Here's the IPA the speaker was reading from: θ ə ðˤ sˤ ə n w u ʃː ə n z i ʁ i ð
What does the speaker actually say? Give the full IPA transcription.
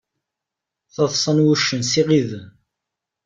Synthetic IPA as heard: θ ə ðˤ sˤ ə n w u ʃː ə n s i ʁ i ð